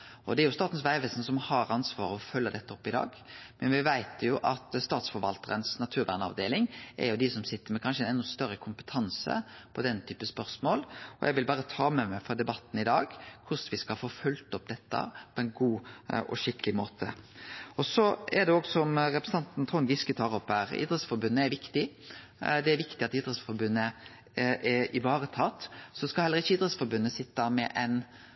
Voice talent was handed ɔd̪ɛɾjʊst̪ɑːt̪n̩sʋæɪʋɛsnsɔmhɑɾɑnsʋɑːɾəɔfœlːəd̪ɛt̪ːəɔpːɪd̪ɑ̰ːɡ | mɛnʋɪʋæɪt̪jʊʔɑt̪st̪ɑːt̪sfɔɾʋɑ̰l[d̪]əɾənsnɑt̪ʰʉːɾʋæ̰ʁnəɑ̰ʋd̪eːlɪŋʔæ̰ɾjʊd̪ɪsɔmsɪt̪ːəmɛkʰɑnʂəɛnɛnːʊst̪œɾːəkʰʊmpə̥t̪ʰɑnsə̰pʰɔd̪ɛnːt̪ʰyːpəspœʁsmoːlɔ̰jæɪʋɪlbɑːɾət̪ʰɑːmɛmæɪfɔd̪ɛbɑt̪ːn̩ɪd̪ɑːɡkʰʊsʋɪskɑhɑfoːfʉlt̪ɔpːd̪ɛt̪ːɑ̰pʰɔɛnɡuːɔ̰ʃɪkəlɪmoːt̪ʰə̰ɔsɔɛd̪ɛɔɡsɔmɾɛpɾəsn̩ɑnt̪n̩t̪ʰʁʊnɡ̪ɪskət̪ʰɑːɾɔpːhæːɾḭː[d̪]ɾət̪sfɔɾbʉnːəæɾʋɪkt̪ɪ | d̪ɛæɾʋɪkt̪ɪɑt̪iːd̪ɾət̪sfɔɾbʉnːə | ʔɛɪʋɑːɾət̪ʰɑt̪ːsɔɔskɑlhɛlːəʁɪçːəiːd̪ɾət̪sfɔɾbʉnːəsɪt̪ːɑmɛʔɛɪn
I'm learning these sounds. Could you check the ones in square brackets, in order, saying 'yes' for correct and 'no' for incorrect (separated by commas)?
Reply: no, yes